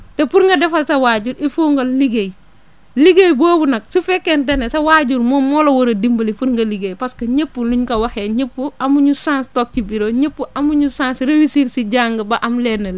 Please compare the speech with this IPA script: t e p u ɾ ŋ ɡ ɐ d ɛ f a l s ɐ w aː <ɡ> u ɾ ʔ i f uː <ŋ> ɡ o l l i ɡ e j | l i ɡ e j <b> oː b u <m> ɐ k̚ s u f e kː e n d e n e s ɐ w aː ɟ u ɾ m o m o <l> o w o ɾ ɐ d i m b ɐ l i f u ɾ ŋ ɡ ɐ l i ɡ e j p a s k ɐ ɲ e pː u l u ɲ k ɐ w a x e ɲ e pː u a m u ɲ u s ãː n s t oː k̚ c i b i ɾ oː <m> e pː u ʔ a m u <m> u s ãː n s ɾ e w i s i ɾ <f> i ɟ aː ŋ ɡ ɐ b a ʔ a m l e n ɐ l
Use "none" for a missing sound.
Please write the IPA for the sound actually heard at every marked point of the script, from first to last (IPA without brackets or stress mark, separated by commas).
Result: ɟ, ŋ, b, n, l, ɲ, ɲ, s